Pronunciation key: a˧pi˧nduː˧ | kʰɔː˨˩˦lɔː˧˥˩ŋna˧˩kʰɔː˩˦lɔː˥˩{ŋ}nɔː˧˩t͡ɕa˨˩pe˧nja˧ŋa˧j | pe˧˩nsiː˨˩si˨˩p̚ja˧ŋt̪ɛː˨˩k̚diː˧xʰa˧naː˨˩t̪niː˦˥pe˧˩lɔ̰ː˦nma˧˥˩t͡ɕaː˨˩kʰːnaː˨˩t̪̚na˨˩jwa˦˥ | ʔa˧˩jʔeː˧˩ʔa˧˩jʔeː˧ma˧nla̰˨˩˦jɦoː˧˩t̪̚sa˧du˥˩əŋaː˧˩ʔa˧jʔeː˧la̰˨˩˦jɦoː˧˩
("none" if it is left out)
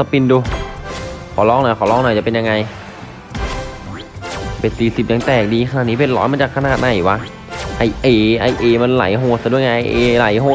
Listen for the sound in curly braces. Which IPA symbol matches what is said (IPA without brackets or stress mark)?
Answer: ŋ